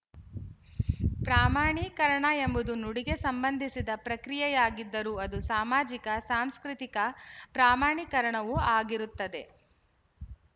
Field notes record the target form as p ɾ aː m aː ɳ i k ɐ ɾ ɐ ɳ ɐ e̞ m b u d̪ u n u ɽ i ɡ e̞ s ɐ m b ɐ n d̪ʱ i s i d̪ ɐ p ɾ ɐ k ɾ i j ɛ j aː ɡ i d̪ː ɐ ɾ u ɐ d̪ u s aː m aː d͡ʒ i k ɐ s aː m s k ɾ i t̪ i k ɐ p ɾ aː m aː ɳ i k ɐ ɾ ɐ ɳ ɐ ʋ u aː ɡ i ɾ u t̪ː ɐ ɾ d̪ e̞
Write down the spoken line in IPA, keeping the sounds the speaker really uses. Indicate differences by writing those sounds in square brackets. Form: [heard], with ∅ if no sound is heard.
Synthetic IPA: p ɾ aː m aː ɳ i k ɐ ɾ ɐ ɳ ɐ e̞ m b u d̪ u n u ɽ i ɡ e̞ s ɐ m b ɐ n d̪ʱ i s i d̪ ɐ p ɾ ɐ k ɾ i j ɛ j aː ɡ i d̪ː ɐ ɾ u ɐ d̪ u s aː m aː d͡ʒ i k ɐ s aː m s k ɾ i t̪ i k ɐ p ɾ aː m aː ɳ i k ɐ ɾ ɐ ɳ ɐ ʋ u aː ɡ i ɾ u t̪ː ɐ [∅] d̪ e̞